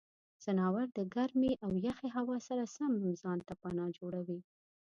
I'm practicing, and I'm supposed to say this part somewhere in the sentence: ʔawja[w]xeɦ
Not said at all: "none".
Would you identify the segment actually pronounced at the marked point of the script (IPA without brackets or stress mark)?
none